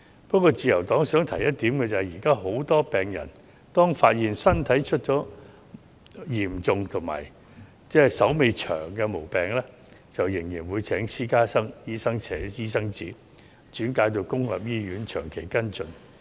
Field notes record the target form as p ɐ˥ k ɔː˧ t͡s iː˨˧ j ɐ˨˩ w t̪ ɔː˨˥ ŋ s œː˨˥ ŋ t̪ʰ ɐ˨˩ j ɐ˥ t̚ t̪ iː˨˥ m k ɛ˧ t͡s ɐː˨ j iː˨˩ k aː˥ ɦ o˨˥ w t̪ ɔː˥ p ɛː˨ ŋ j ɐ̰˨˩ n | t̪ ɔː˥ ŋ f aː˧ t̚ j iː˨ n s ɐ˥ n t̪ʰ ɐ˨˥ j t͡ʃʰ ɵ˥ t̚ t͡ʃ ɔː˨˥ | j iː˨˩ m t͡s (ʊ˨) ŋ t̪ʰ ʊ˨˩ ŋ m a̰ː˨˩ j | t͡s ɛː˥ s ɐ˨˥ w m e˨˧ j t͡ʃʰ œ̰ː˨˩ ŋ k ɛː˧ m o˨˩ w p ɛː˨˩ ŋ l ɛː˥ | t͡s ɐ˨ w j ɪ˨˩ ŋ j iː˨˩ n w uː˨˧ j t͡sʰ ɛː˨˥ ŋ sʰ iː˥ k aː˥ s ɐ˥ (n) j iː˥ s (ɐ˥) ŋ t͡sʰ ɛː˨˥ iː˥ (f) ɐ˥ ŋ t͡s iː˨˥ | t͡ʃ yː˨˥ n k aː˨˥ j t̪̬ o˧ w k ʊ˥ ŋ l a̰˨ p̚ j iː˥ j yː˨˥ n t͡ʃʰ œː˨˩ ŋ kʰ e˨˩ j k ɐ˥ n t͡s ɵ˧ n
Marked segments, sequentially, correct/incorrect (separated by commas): correct, incorrect, correct, incorrect